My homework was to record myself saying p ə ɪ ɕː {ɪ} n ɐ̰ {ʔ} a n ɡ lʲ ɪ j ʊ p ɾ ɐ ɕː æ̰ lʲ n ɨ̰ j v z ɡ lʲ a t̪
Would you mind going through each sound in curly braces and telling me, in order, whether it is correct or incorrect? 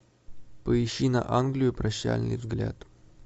incorrect: i, correct

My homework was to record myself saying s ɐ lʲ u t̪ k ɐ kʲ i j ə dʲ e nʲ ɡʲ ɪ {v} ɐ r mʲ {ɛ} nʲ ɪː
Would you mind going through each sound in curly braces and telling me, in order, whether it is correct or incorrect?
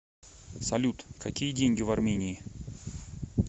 correct, incorrect: e

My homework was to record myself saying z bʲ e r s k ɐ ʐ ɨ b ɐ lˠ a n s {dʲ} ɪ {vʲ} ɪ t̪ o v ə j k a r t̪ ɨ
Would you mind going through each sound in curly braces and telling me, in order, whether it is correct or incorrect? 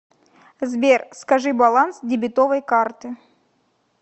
correct, incorrect: bʲ

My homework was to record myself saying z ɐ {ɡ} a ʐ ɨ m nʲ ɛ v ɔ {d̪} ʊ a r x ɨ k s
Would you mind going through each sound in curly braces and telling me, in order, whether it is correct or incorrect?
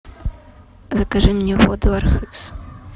incorrect: k, correct

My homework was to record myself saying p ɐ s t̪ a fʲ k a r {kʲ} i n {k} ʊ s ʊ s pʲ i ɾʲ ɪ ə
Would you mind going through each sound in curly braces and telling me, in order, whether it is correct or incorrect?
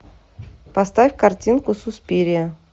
incorrect: tʲ, correct

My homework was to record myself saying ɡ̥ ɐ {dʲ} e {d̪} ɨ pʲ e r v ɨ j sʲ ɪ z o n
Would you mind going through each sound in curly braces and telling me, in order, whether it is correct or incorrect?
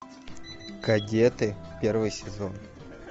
correct, incorrect: t̪

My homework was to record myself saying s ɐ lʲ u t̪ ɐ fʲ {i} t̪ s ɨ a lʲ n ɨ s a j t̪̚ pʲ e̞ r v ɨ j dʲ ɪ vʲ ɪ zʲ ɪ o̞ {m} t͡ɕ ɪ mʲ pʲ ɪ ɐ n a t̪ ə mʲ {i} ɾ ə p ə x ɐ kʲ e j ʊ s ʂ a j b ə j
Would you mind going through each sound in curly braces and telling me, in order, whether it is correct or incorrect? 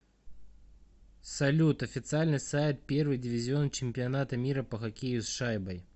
incorrect: ɪ, incorrect: n, correct

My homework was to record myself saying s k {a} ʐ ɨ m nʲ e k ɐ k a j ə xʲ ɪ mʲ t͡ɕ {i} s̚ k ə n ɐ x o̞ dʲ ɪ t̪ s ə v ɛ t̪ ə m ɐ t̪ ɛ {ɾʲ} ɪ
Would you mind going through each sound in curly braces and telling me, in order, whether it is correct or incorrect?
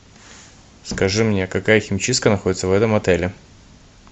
incorrect: ɐ, correct, incorrect: lʲ

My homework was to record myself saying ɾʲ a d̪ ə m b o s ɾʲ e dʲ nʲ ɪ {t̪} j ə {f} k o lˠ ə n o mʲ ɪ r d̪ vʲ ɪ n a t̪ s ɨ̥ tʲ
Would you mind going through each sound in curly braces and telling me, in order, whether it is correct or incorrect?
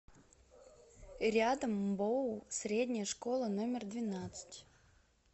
incorrect: none, incorrect: ʂ

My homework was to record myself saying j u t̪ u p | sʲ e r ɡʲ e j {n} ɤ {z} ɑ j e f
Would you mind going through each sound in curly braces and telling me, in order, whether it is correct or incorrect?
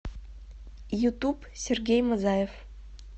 incorrect: m, correct

